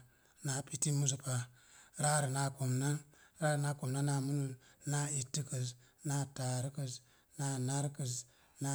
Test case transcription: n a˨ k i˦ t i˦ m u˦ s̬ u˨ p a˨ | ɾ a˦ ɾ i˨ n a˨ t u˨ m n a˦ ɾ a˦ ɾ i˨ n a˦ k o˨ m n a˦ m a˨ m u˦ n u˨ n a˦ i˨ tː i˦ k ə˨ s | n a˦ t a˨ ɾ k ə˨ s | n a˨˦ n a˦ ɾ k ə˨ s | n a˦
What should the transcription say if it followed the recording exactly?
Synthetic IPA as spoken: n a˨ p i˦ t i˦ m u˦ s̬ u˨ p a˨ | ɾ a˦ ɾ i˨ n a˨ k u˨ m n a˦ ɾ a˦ ɾ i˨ n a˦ k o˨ m n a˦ n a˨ m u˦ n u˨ n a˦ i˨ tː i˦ k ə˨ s | n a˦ t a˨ ɾ k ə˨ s | n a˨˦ n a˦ ɾ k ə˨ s | n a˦

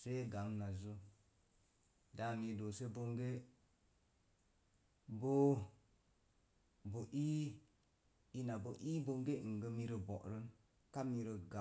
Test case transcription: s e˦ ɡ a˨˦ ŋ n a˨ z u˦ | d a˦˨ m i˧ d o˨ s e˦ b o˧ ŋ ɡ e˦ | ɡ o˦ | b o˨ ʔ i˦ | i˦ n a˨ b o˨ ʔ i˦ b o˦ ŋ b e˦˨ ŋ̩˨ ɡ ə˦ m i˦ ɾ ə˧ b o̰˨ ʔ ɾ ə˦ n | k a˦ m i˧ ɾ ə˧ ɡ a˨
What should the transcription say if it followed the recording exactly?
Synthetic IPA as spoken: s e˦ ɡ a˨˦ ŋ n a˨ z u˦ | d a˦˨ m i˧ d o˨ s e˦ b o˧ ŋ ɡ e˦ | b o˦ | b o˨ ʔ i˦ | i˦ n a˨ b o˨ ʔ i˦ b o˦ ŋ ɡ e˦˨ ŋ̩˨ ɡ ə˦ m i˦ ɾ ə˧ b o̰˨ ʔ ɾ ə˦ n | k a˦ m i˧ ɾ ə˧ ɡ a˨

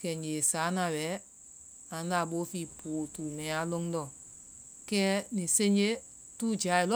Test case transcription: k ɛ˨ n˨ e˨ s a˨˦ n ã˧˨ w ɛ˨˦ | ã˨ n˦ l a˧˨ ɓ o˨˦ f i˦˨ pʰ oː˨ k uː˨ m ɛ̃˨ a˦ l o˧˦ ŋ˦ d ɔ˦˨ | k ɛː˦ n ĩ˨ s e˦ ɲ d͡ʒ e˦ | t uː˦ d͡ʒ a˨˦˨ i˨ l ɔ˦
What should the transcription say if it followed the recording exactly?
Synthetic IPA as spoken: k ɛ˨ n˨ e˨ s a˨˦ n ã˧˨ w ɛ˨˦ | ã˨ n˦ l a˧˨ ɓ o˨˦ f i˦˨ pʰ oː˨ t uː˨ m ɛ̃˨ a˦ l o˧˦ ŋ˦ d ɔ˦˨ | k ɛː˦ n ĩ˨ s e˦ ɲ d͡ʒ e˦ | t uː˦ d͡ʒ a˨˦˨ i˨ l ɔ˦

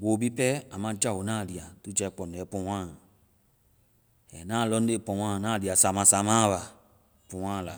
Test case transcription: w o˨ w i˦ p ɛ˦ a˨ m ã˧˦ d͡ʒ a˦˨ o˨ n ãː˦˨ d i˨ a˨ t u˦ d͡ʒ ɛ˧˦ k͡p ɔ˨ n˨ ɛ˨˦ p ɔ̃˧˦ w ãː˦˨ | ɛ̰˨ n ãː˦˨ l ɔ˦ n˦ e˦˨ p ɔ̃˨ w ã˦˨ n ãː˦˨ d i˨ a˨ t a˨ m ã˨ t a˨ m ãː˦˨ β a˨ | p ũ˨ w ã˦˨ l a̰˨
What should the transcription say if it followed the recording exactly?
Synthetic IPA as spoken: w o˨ b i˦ p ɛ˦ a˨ m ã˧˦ d͡ʒ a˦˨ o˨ n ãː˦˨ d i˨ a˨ t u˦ d͡ʒ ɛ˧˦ k͡p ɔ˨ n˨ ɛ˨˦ p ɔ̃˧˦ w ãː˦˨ | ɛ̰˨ n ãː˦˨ l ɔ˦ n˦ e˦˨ p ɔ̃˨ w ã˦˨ n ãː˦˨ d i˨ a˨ s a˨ m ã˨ s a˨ m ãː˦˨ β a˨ | p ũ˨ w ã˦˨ l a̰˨

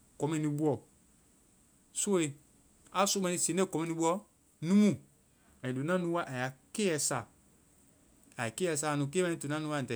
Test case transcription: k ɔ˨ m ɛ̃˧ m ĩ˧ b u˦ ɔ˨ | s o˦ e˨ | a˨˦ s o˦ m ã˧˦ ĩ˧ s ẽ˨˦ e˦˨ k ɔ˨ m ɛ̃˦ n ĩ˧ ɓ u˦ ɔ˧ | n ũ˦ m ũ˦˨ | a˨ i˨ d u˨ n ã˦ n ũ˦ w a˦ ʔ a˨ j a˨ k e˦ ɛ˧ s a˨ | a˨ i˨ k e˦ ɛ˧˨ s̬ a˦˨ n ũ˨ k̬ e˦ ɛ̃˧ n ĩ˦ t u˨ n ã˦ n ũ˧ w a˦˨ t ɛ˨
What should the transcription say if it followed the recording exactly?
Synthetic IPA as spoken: k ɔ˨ m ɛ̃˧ n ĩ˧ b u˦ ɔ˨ | s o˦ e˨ | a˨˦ s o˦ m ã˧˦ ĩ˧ s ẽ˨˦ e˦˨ k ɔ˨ m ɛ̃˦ n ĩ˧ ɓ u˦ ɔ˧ | n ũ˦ m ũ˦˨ | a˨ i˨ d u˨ n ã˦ n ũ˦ w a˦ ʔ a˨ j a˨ k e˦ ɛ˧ s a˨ | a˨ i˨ k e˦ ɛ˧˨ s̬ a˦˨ n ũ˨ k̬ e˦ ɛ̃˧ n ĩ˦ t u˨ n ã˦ n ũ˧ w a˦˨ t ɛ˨

